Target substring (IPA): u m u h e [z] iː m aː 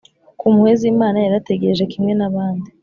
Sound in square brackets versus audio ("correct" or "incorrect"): correct